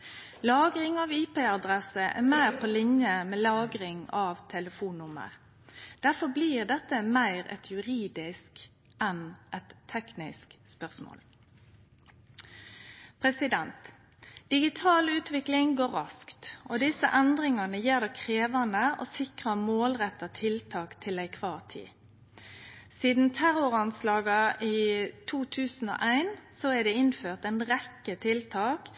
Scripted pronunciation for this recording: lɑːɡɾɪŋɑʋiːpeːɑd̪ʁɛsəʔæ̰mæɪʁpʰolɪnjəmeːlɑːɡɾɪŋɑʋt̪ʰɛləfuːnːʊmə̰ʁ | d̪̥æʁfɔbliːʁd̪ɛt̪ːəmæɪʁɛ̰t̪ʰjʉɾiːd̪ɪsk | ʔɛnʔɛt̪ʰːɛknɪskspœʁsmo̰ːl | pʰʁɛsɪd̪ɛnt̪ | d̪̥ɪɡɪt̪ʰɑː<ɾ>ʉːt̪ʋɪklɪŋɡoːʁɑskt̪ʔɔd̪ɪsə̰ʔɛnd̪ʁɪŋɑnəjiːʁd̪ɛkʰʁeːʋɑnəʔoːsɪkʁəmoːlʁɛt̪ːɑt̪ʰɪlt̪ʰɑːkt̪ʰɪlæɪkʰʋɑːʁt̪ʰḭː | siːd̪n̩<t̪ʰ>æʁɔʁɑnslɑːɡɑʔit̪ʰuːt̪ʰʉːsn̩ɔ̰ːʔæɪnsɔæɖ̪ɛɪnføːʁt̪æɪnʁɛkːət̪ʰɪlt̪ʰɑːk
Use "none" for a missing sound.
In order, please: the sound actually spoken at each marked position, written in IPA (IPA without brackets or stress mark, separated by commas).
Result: l, t̪ʰ